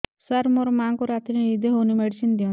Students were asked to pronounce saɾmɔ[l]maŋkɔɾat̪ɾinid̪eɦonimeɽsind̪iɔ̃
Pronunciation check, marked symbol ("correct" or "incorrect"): incorrect